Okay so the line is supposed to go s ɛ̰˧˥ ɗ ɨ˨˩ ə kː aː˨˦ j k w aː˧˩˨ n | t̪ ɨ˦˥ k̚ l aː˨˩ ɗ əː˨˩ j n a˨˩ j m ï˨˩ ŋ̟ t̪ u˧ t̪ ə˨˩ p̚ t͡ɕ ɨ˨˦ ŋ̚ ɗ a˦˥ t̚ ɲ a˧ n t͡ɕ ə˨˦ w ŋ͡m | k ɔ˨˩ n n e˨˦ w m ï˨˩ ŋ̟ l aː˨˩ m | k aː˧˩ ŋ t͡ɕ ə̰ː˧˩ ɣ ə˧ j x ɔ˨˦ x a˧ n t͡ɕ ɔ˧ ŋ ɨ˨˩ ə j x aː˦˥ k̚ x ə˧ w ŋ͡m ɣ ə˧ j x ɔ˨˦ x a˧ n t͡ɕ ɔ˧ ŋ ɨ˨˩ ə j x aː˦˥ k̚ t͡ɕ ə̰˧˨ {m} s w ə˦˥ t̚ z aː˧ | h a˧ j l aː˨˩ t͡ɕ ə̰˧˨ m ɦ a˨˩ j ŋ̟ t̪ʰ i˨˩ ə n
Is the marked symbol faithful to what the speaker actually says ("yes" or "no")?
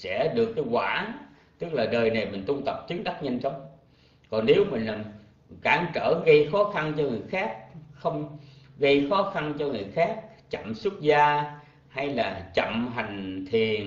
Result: yes